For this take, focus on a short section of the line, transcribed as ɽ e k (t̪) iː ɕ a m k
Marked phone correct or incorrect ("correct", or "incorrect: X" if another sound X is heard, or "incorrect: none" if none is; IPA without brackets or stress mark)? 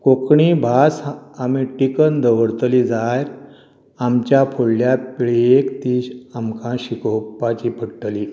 correct